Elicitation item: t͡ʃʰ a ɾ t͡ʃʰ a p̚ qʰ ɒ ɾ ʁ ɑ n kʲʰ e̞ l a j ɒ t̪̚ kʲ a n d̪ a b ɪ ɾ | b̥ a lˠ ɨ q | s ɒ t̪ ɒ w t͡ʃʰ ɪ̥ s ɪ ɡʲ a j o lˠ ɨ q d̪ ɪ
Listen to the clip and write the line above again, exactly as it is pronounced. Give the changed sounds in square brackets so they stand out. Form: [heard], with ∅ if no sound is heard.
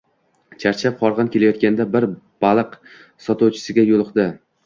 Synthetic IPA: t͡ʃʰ a ɾ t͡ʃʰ a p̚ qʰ ɒ ɾ ʁ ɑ n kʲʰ e̞ l a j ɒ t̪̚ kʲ a n d̪ a b ɪ ɾ | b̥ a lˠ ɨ q | s ɒ t̪ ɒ w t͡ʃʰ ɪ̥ s ɪ ɡʲ a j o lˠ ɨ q d̪ ɪ